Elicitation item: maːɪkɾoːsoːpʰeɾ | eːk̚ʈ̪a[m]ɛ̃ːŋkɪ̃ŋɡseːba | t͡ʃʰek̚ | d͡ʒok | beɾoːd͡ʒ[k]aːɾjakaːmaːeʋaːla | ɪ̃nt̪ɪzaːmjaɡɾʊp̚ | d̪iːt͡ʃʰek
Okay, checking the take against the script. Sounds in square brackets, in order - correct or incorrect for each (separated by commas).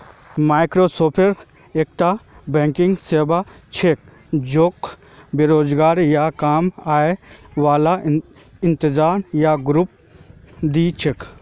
incorrect, incorrect